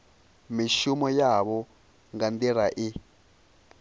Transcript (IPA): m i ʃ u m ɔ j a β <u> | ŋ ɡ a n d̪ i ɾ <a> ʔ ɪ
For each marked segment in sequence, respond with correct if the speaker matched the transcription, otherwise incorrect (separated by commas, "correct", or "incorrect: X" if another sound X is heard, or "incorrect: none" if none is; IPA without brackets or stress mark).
incorrect: ɔ, correct